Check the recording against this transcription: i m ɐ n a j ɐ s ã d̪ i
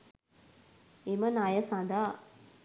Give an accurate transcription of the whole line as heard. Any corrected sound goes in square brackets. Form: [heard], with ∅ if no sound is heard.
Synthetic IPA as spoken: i m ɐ n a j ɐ s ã d̪ [a]